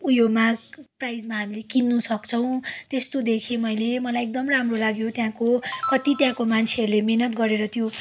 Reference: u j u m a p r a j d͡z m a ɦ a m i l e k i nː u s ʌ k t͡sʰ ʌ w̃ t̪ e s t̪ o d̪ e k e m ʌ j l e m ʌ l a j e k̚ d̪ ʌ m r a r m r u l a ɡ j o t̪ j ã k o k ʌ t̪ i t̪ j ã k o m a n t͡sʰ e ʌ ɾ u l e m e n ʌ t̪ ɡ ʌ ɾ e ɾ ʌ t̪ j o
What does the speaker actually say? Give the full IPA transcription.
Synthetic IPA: u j o m a p r a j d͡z m a ɦ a m i l e k i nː u s ʌ k t͡sʰ ʌ w̃ t̪ e s t̪ o d̪ e kʰ e m ʌ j l e m ʌ l a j e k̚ d̪ ʌ m r a m r o l a ɡ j o t̪ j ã k o k ʌ t̪ i t̪ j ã k o m a n t͡sʰ e ʌ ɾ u l e m e n ʌ t̪ ɡ ʌ ɾ e ɾ ʌ t̪ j o

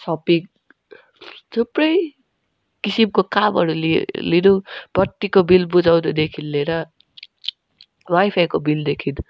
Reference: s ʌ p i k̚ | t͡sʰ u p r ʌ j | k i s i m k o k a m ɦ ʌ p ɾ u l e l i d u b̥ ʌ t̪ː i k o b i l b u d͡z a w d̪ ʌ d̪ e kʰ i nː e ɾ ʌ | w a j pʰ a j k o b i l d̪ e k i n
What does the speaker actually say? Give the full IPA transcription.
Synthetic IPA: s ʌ p i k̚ | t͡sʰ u p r ʌ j | k i s i m k o k a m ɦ ʌ ɾ u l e l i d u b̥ ʌ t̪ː i k o b i l b u d͡z a w d̪ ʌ d̪ e kʰ i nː e ɾ ʌ | w a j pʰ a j k o b i l d̪ e kʰ i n

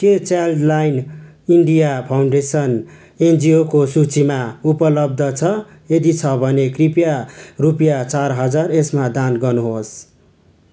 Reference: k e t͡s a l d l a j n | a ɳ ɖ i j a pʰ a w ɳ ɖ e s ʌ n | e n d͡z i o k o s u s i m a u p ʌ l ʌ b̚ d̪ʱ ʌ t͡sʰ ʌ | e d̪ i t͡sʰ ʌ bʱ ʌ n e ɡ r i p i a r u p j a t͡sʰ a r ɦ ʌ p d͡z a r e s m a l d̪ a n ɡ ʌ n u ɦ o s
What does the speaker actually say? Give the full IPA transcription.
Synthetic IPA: k e t͡s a l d l a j n | i ɳ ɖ i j a pʰ a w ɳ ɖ e s ʌ n | e n d͡z i o k o s u t͡s i m a u p ʌ l ʌ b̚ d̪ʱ ʌ t͡sʰ ʌ | e d̪ i t͡sʰ ʌ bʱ ʌ n e k r i p j a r u p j a t͡s a r ɦ ʌ d͡z a r e s m a d̪ a n ɡ ʌ n u ɦ o s

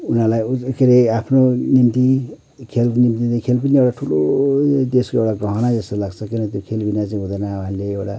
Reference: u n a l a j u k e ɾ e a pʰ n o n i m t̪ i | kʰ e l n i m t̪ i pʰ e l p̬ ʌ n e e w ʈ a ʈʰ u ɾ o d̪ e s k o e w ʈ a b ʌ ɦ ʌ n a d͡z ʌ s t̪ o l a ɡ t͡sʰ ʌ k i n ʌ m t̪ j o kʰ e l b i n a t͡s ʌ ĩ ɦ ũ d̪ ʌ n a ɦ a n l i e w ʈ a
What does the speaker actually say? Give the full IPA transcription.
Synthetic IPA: u n a l a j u k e ɾ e a pʰ n o n i m t̪ i | kʰ e l n i m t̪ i kʰ e l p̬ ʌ n i e w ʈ a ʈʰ u l o d̪ e s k o e w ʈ a ɡ ʌ ɦ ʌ n a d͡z ʌ s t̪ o l a ɡ t͡sʰ ʌ k i n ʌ t̪ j o kʰ e l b i n a t͡s a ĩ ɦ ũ d̪ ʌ n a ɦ a n l e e w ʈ a

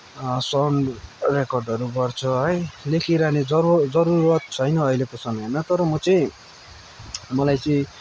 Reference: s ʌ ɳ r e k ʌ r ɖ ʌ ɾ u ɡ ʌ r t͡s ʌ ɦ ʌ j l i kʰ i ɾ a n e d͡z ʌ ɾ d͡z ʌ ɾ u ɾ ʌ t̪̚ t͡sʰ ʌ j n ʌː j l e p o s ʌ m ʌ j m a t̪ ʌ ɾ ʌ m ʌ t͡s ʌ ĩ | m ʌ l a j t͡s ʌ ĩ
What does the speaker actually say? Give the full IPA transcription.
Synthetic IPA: s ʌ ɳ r e k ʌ r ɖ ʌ ɾ u ɡ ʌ r t͡sʰ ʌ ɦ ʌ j l e kʰ i ɾ a n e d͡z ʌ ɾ d͡z ʌ ɾ u ɾ ʌ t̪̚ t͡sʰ ʌ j n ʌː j l e k o s ʌ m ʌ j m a t̪ ʌ ɾ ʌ m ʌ t͡s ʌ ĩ | m ʌ l a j t͡s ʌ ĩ

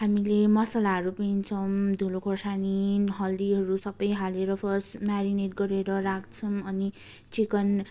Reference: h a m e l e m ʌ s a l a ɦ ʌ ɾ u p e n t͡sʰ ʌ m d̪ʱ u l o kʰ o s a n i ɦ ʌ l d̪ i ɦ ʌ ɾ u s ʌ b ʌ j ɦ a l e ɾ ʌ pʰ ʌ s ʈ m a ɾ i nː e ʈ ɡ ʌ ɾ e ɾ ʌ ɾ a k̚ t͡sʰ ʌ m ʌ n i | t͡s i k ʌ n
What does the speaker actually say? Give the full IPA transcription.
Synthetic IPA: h a m i l e m ʌ s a l a ɦ ʌ ɾ u p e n t͡sʰ ʌ m d̪ʱ u l o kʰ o s a n i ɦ ʌ l d̪ i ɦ ʌ ɾ u s ʌ b ʌ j ɦ a l e ɾ ʌ pʰ ʌ s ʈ m a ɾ i n e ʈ ɡ ʌ ɾ e ɾ ʌ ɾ a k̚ t͡sʰ ʌ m ʌ n i | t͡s i k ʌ n

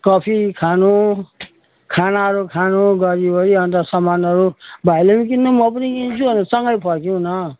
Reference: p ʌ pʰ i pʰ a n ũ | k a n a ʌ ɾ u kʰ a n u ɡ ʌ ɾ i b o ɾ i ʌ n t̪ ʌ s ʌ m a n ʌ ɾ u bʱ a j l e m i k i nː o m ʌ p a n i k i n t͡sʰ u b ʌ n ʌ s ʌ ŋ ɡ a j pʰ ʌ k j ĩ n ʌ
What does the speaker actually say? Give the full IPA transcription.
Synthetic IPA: k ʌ pʰ i kʰ a n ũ | kʰ a n a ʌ ɾ u kʰ a n u ɡ ʌ ɾ i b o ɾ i ʌ n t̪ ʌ s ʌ m a n ʌ ɾ u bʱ a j l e m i k i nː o m ʌ p ʌ n i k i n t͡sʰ u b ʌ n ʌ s ʌ ŋ ɡ ʌ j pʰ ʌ k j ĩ n ʌ

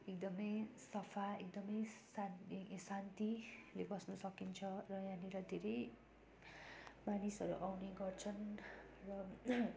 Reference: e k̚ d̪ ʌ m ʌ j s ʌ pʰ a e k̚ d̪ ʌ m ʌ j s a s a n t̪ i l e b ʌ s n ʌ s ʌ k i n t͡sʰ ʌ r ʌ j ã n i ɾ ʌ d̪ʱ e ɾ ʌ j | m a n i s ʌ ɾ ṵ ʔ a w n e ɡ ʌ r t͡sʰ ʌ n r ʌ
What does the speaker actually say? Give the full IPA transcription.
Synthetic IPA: e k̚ d̪ ʌ m ʌ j s ʌ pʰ a e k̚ d̪ ʌ m ʌ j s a s a n t̪ i l e b ʌ s n ʌ s ʌ k i n t͡sʰ ʌ r ʌ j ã n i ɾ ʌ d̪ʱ e ɾ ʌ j | m a n i s ʌ ɾ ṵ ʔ a w n e ɡ ʌ r t͡sʰ ʌ n r ʌ

